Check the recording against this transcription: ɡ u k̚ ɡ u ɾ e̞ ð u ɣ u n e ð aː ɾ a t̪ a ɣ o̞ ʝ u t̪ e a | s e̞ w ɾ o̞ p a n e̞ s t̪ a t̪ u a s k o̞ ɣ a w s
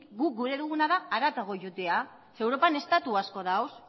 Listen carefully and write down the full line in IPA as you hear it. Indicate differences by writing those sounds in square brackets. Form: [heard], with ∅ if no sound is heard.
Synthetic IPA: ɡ u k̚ ɡ u ɾ e̞ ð u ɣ u n [a] ð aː ɾ a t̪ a ɣ o̞ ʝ u t̪ e a | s e̞ w ɾ o̞ p a n e̞ s t̪ a t̪ u a s k o̞ [ð] a w s